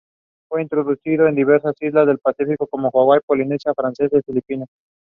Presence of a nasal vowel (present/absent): absent